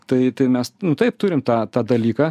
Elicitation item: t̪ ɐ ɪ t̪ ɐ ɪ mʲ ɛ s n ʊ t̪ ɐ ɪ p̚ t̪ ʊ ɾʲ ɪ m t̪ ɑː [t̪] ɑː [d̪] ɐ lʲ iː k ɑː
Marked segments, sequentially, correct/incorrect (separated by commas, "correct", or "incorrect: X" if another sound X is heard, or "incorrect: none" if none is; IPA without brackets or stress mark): correct, correct